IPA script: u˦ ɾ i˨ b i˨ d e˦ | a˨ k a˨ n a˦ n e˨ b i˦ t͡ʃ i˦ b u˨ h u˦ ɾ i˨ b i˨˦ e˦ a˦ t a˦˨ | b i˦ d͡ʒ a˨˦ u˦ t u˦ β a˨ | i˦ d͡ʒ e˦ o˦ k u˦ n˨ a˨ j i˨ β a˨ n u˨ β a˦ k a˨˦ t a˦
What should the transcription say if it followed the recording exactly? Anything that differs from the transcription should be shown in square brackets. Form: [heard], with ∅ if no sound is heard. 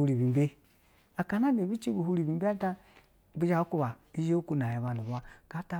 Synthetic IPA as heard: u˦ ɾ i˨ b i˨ [b] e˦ | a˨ k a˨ n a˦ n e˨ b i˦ t͡ʃ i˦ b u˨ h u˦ ɾ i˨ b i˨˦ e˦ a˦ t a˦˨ | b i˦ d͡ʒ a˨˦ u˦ [k] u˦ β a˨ | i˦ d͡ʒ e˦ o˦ k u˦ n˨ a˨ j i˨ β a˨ n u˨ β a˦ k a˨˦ t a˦